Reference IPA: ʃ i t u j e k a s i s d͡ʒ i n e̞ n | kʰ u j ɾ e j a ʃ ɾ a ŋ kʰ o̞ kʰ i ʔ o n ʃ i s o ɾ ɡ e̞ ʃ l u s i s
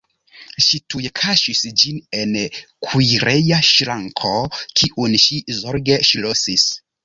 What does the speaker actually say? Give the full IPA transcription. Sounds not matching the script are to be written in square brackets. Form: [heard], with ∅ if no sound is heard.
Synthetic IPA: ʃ i t u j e [kʰ] a [ʃ] i s d͡ʒ i n e̞ n | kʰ u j ɾ e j a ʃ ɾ a ŋ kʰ o̞ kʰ i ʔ [u] n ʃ i [z] o ɾ ɡ e̞ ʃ l [o] s i s